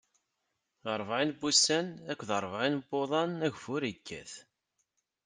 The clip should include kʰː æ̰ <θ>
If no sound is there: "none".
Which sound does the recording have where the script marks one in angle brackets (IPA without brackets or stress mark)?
θ